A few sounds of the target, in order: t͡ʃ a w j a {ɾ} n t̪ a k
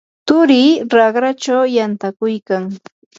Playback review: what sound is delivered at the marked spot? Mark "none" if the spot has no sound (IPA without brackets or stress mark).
none